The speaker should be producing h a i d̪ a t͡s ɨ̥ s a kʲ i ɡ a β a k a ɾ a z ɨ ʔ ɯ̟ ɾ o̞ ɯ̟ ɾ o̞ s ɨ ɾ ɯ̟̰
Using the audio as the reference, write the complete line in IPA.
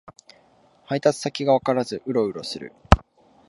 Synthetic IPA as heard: h a i t̪ a t͡s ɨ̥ s a kʲ i ɡ a β a k a ɾ a z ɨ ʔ ɯ̟ ɾ o̞ ɯ̟ ɾ o̞ s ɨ ɾ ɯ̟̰